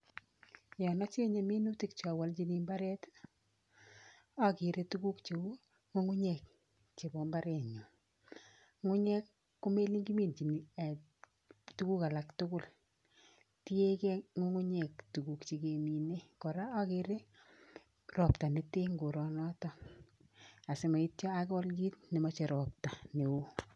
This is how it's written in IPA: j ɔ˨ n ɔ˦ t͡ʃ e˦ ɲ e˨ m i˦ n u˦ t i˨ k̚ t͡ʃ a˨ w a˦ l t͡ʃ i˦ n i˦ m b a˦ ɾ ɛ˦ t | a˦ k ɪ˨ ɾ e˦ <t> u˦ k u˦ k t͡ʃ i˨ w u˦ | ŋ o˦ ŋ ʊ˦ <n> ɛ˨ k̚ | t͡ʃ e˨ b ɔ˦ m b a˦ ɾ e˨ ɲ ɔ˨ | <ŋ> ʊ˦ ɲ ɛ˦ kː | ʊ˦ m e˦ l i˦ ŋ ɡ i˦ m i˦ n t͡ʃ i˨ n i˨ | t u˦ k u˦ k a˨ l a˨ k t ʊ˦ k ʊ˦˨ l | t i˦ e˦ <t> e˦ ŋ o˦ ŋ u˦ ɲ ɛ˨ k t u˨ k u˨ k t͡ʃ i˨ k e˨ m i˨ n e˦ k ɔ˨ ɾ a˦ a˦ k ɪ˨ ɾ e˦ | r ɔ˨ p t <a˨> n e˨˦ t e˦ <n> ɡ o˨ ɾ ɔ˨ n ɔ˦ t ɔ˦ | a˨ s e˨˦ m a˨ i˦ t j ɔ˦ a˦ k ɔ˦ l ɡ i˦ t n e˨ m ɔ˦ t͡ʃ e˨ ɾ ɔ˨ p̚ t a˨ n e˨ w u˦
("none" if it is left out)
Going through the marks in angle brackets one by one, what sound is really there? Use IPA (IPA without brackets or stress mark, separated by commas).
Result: t, ɲ, ŋ, k, a˨, ŋ